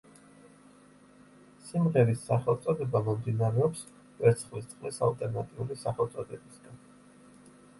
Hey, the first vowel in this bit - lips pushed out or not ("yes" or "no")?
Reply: no